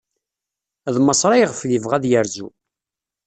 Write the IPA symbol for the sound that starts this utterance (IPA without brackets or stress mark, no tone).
ð